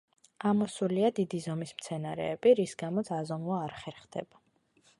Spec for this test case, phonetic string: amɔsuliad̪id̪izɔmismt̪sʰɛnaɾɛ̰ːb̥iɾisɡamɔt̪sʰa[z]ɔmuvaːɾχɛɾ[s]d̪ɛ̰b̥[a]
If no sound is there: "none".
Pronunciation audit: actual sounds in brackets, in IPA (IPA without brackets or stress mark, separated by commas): z, χ, a